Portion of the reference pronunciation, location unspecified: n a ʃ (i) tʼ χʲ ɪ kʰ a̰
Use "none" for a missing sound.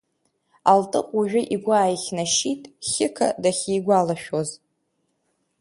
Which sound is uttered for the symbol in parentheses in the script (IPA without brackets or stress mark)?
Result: i